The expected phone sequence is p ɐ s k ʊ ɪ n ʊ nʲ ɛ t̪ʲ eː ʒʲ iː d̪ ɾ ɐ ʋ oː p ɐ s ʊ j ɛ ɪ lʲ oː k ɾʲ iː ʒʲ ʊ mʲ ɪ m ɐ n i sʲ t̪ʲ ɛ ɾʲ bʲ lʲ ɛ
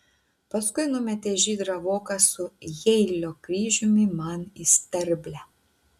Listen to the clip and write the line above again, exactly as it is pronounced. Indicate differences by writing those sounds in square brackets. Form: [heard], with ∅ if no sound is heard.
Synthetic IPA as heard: p ɐ s k ʊ ɪ n ʊ [mʲ] ɛ t̪ʲ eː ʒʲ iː d̪ ɾ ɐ ʋ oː [k] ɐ s ʊ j ɛ ɪ lʲ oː k ɾʲ iː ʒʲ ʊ mʲ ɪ m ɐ n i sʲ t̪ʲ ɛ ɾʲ bʲ lʲ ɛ